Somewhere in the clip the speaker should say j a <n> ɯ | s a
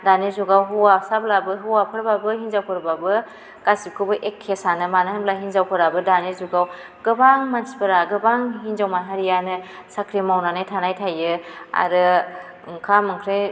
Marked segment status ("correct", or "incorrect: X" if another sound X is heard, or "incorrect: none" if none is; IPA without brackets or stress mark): correct